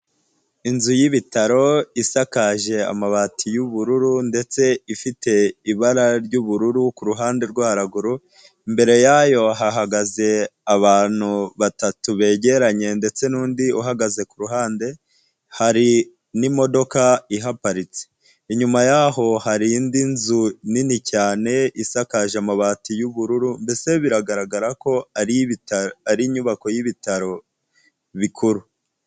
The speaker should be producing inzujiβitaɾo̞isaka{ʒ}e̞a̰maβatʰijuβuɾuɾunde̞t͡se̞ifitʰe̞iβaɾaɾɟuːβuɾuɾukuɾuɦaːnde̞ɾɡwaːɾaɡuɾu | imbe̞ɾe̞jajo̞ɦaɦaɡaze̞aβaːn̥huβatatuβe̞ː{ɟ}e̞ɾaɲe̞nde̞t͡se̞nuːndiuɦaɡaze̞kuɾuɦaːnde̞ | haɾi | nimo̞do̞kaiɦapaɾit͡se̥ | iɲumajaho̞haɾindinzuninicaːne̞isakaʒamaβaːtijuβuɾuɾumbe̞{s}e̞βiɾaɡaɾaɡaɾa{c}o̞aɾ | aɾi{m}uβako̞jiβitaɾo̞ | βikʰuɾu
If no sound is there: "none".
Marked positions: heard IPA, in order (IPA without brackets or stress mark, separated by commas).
ʒ, ɟ, s, k, ɲ